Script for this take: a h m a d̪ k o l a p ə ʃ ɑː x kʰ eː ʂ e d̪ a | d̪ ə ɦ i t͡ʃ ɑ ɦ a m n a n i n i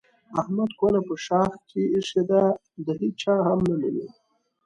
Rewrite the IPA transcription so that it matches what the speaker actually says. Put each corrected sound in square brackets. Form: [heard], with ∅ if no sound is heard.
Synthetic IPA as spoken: a h m a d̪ k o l a p ə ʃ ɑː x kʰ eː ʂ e d̪ a | d̪ ə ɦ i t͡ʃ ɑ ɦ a m n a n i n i